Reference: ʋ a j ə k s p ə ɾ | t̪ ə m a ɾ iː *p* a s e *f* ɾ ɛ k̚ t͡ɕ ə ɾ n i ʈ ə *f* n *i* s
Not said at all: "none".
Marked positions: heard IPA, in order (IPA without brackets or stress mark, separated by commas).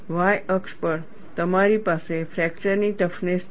p, f, f, e